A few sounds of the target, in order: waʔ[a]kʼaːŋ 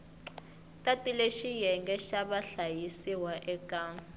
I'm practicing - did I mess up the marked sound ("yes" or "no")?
yes